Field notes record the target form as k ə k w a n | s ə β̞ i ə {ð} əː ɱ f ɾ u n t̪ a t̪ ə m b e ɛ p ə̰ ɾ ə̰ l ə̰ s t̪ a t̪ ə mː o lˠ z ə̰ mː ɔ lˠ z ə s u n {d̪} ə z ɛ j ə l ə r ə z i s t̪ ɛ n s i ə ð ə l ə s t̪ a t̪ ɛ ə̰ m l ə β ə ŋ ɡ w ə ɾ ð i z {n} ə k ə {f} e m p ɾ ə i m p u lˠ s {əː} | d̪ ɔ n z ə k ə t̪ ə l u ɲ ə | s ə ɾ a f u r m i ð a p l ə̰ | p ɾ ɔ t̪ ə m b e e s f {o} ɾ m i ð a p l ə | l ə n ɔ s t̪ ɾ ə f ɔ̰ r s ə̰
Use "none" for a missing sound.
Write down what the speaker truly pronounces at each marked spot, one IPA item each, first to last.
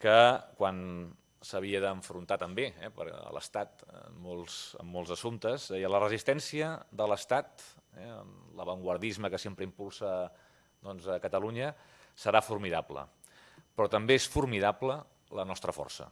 ð, t̪, m, s, ə, u

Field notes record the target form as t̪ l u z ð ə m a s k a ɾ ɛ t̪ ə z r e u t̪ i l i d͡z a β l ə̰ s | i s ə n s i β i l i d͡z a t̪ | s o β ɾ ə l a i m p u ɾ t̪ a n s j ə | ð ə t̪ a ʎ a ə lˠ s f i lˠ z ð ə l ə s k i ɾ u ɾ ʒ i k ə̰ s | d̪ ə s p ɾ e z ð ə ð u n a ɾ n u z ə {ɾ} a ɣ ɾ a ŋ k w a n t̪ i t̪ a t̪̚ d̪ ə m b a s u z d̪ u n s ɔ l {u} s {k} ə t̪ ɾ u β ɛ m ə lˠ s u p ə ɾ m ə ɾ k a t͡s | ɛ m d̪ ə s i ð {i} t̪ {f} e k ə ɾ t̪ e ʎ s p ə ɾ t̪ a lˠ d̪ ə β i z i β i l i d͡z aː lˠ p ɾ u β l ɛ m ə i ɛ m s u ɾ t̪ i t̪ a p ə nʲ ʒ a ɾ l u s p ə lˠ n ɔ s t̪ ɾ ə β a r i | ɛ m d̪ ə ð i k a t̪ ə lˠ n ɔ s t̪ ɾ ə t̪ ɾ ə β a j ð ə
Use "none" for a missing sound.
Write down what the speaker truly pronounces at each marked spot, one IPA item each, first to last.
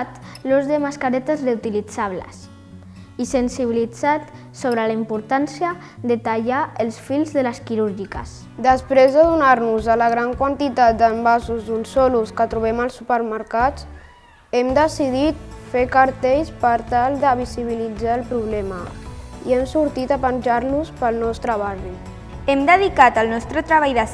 l, u, k, i, f

